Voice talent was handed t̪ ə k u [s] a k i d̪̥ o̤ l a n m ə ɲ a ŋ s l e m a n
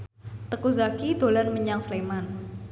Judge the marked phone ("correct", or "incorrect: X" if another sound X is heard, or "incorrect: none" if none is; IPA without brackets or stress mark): incorrect: z